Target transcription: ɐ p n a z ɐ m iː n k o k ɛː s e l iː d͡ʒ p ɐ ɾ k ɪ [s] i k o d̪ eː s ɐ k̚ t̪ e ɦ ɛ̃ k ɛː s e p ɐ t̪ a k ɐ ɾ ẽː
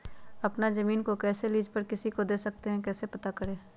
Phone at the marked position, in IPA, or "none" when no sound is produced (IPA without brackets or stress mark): s